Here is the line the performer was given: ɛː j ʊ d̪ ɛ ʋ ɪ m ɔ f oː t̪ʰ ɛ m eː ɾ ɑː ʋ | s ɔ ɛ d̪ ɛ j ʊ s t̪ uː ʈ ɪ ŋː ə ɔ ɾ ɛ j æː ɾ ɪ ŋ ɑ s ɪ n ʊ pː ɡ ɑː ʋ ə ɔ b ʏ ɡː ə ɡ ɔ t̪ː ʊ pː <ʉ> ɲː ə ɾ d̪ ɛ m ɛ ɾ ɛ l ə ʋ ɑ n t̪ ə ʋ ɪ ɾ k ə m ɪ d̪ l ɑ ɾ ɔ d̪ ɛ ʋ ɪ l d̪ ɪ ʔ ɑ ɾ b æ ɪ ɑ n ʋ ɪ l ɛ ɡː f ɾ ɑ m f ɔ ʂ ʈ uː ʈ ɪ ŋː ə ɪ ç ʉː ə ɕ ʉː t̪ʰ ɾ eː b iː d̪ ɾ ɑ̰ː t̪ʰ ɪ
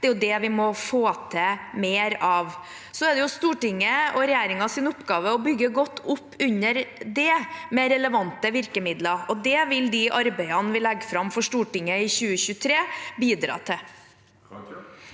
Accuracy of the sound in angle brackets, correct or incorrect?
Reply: correct